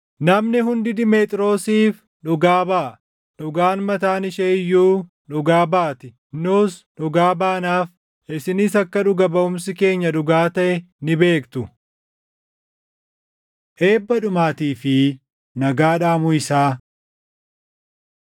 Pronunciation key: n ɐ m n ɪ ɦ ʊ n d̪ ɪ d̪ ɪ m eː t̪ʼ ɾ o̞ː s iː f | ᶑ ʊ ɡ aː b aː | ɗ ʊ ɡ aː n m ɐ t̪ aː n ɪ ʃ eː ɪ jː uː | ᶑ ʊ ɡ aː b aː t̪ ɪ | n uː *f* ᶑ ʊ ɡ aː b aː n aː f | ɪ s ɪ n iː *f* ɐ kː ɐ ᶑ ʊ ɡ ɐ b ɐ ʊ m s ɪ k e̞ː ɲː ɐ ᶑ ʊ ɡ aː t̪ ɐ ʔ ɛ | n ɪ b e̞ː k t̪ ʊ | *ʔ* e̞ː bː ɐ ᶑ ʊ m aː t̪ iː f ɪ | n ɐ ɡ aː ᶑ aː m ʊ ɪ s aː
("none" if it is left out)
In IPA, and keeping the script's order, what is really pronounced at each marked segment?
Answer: s, s, ʔ

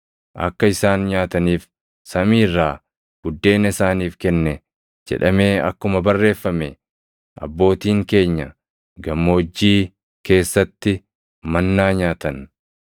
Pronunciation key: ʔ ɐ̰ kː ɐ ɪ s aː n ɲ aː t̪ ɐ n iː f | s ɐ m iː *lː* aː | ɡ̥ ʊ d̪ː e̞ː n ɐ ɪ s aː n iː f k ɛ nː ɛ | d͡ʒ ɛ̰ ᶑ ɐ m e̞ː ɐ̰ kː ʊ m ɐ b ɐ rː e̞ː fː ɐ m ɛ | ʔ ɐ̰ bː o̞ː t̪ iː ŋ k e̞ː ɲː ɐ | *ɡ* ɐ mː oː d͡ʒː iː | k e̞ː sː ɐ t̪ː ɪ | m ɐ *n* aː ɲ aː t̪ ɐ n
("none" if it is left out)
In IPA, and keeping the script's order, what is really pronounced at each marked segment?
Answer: rː, ɡ, nː

